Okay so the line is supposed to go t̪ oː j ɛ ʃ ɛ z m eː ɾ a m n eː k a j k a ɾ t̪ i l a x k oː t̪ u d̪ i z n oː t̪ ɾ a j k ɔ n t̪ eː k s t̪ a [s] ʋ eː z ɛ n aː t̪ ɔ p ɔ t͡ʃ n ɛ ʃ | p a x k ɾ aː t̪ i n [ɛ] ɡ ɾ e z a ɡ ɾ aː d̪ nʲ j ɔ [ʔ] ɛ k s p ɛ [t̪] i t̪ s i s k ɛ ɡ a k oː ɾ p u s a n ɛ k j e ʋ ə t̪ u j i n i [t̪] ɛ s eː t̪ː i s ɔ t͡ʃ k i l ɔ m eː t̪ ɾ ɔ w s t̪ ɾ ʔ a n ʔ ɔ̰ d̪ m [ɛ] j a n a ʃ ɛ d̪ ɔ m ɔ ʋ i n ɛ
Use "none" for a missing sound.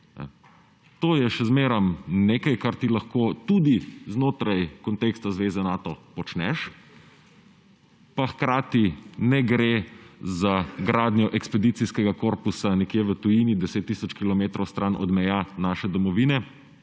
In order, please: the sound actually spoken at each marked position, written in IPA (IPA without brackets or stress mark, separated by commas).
z, ɛ, ʔ, d̪, d̪, ɛ